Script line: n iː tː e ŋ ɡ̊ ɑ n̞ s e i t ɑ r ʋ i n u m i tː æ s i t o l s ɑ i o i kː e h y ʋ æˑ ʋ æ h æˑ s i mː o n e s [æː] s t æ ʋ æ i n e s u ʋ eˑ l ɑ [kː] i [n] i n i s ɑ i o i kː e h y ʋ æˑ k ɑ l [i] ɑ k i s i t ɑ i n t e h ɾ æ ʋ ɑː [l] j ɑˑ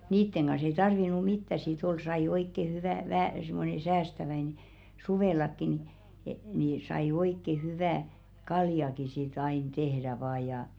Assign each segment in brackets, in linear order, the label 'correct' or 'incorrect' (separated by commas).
correct, correct, correct, incorrect, incorrect